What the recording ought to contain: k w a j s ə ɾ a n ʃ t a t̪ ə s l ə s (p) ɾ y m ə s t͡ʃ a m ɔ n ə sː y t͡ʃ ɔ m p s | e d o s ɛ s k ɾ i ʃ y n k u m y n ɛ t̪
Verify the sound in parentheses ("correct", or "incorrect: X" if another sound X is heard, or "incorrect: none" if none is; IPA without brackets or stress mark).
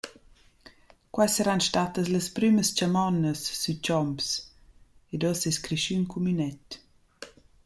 correct